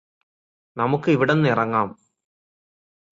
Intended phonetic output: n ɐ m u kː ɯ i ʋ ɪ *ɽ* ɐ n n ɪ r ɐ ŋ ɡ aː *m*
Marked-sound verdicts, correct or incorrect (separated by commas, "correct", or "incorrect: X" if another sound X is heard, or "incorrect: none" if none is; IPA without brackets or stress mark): correct, correct